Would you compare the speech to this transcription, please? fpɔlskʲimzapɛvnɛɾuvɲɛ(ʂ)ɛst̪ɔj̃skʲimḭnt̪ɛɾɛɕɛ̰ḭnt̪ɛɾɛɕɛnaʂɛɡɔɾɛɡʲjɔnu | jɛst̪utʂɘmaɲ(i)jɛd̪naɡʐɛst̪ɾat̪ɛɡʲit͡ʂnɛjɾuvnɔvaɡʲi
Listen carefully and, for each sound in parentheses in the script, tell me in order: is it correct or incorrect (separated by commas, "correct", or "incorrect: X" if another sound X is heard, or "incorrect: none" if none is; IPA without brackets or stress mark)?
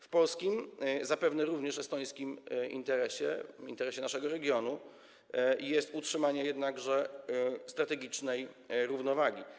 correct, incorrect: ɛ